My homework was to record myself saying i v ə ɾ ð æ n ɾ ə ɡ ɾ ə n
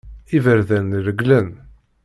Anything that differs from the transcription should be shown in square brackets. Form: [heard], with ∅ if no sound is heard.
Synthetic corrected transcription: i v ə ɾ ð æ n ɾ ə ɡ [l] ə n